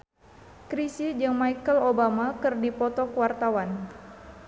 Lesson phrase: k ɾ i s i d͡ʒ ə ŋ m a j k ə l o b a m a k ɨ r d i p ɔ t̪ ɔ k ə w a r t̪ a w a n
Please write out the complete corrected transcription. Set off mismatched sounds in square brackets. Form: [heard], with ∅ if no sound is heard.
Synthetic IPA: k ɾ i s i d͡ʒ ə ŋ m a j k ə l o b a m a k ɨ r d i p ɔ t̪ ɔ k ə w a r t̪ a w a n